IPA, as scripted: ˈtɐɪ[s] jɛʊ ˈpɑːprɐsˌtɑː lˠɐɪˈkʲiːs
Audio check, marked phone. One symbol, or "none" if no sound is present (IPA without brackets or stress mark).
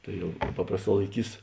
none